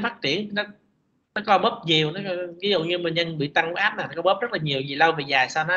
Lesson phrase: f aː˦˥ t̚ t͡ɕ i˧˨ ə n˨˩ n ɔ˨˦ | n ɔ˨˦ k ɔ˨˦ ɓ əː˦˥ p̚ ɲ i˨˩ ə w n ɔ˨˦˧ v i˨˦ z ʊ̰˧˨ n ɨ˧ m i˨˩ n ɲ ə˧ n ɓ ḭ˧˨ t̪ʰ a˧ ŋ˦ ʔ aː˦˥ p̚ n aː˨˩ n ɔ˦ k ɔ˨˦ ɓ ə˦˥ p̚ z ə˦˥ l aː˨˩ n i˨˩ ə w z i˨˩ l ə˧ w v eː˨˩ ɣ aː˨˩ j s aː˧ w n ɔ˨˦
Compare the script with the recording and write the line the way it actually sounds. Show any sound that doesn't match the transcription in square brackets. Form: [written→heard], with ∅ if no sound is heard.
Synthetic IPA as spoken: f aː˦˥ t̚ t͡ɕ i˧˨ ə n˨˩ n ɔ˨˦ | n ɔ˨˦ k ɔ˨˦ ɓ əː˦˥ p̚ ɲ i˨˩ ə w n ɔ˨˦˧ v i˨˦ z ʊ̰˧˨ [n→ɲ] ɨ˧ m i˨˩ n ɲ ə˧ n ɓ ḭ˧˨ [t̪ʰ→t̪] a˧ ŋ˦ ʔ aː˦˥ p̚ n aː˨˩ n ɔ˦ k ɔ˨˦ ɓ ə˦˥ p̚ z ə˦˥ l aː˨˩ [n→ɲ] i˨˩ ə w z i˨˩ l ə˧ w v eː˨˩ [ɣ→z] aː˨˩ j s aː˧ w n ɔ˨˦

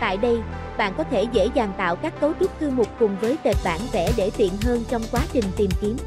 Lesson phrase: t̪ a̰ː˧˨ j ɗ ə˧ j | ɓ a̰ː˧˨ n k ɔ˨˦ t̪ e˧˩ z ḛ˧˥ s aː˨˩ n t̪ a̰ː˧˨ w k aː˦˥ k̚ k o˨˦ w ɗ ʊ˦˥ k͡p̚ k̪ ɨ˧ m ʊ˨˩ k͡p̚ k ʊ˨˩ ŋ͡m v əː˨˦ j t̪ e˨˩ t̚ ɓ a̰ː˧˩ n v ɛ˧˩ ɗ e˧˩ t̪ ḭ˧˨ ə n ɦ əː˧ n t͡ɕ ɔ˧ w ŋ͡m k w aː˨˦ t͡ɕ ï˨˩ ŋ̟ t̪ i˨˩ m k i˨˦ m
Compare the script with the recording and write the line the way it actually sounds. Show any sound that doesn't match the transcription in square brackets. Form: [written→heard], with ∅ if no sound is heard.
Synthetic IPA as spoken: t̪ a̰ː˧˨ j ɗ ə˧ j | ɓ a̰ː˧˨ n k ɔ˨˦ [t̪→t̪ʰ] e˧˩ z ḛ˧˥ [s→z] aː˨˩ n t̪ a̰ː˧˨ w k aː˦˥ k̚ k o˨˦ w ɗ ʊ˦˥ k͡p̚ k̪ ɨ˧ m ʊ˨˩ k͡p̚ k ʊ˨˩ ŋ͡m v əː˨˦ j t̪ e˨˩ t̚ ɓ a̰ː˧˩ n v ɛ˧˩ ɗ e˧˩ t̪ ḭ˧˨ ə n ɦ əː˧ n t͡ɕ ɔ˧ w ŋ͡m k w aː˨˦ t͡ɕ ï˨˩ ŋ̟ t̪ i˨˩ m k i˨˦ m

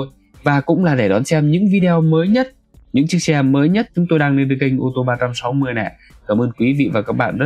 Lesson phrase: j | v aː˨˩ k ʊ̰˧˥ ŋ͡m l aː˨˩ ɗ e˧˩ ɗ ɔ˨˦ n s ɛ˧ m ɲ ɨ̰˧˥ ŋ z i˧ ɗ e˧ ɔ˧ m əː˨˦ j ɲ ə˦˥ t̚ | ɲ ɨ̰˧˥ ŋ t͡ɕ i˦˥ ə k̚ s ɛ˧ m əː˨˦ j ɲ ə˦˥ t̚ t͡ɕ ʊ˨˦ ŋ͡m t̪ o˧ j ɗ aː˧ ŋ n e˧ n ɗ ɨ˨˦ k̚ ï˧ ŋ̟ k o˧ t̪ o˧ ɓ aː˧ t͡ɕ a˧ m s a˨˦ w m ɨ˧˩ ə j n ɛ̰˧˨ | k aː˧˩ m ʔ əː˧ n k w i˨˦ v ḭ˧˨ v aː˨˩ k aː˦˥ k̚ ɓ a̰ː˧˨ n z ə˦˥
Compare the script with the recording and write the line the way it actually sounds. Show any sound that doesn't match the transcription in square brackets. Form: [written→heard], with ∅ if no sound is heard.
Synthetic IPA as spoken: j | v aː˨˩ k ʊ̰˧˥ ŋ͡m l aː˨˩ ɗ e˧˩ ɗ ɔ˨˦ n s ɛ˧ m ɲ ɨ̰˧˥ ŋ [z→v] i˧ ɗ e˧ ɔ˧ m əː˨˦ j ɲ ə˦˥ t̚ | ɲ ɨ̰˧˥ ŋ t͡ɕ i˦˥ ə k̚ s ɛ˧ m əː˨˦ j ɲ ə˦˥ t̚ t͡ɕ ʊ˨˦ ŋ͡m t̪ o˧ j ɗ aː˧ ŋ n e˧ n ɗ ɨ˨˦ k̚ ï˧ ŋ̟ [k→ʔ] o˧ t̪ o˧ ɓ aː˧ t͡ɕ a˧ m s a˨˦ w m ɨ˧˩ ə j n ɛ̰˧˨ | k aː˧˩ m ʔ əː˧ n k w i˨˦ v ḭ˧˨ v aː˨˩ k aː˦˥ k̚ ɓ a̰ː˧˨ n z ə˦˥

